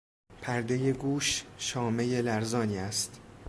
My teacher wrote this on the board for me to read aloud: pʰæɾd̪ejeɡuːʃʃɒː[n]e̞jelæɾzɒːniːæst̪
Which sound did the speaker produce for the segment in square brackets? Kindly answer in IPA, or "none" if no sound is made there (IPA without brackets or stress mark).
m